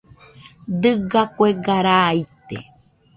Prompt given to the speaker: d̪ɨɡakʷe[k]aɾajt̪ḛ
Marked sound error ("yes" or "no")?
yes